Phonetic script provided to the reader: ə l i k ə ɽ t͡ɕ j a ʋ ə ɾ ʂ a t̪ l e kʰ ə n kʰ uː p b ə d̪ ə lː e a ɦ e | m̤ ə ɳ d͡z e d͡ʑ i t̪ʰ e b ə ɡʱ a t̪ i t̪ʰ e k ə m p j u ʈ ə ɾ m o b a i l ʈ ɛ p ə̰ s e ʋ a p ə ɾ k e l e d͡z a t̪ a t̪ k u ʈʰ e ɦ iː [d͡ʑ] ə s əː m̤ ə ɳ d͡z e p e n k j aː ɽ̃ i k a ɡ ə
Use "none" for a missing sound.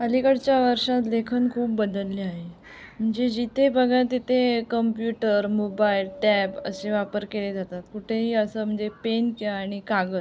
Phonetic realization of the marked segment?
none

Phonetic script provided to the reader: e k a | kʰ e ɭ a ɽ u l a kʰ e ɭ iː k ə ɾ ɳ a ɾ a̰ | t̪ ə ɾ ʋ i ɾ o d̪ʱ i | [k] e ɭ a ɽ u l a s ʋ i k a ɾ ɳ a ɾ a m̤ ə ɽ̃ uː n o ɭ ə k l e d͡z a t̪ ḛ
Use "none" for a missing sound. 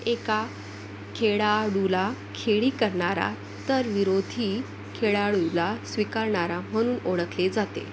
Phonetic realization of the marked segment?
kʰ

